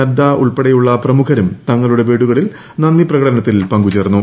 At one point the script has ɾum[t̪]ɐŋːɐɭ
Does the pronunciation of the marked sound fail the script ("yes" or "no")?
no